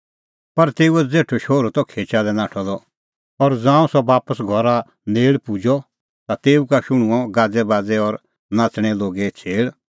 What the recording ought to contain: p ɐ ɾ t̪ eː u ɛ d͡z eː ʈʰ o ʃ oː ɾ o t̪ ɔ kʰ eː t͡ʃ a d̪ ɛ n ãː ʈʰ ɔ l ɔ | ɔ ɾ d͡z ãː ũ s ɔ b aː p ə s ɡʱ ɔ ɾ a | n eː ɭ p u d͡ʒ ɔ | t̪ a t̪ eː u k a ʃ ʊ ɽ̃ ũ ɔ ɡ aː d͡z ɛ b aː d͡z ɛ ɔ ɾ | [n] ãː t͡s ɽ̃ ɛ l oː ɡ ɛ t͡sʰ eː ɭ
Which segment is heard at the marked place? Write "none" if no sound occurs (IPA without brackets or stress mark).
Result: n